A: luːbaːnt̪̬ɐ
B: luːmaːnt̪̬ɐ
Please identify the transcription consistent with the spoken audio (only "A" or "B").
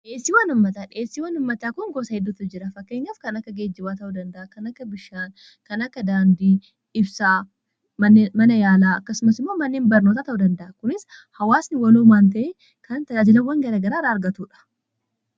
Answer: B